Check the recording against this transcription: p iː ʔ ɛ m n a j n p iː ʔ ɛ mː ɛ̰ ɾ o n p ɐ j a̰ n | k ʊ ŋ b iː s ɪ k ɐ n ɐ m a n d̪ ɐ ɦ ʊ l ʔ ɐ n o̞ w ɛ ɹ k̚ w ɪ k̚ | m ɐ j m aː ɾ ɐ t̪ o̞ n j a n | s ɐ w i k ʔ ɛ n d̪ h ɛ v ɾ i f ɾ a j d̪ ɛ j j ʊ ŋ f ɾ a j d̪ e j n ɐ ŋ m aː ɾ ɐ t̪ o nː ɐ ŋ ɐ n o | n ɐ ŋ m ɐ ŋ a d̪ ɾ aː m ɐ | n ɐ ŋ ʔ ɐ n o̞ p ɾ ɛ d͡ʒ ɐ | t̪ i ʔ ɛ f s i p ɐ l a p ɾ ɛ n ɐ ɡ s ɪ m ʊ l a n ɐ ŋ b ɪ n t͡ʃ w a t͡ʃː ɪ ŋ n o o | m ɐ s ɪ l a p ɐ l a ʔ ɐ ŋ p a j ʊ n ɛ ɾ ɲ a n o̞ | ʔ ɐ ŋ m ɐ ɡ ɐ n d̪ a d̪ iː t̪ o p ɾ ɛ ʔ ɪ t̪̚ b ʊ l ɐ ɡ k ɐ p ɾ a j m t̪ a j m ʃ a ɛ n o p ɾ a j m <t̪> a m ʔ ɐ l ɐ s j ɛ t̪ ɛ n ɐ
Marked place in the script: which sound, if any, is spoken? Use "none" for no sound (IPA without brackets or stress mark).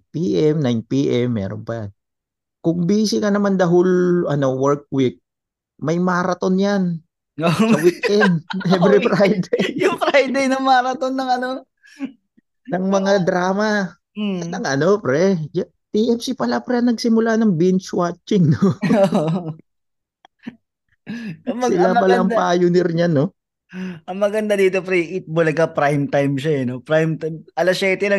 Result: t̪